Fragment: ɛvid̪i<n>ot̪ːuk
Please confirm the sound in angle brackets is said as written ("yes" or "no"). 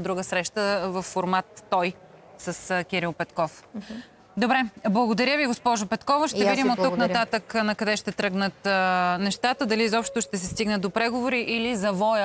no